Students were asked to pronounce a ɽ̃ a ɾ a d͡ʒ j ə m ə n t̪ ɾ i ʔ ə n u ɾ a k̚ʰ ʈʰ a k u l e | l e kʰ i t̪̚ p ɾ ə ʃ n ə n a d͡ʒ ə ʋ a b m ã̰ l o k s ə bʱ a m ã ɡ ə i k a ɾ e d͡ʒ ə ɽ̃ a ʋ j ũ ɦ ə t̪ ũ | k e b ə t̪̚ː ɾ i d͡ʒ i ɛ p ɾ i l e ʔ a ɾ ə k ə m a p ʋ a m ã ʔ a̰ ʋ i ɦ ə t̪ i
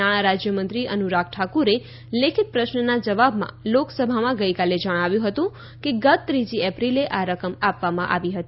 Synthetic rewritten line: a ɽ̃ a ɾ a d͡ʒ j ə m ə n t̪ ɾ i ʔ ə n u ɾ a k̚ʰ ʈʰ a k u ɾ e | l e kʰ i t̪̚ p ɾ ə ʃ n ə n a d͡ʒ ə ʋ a b m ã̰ l o k s ə bʱ a m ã ɡ ə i k a l e d͡ʒ ə ɽ̃ a ʋ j ũ ɦ ə t̪ ũ | k e ɡ ə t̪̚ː ɾ i d͡ʒ i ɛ p ɾ i l e ʔ a ɾ ə k ə m a p ʋ a m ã ʔ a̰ ʋ i ɦ ə t̪ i